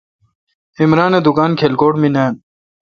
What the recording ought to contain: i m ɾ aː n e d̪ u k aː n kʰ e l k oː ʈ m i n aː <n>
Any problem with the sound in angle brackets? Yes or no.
no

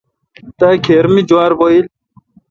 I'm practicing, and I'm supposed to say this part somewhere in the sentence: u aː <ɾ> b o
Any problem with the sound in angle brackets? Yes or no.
no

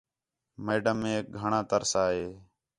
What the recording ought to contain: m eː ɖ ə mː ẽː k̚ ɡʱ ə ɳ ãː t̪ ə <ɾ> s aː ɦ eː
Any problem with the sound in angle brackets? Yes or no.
no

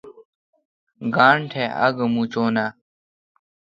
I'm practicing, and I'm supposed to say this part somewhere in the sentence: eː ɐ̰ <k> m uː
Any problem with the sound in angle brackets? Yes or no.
yes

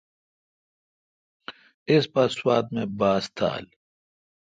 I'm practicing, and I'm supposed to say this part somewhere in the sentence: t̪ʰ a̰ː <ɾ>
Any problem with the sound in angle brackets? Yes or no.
yes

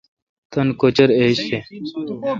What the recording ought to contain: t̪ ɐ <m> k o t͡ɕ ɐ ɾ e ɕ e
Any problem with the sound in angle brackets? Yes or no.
yes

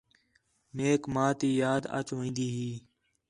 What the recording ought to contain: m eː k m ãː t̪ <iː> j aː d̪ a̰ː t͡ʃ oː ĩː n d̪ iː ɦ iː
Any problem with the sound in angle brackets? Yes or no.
no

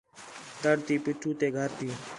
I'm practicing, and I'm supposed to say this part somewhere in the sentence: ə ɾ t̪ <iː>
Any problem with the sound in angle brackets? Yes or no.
no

